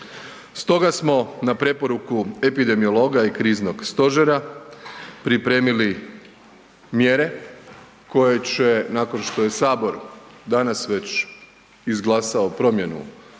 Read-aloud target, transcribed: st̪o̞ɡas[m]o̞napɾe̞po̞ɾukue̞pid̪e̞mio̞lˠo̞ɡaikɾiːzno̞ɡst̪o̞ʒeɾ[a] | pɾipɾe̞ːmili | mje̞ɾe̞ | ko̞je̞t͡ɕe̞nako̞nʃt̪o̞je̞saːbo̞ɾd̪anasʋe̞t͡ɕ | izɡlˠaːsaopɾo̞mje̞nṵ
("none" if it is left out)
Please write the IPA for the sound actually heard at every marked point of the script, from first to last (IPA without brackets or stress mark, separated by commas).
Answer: m, a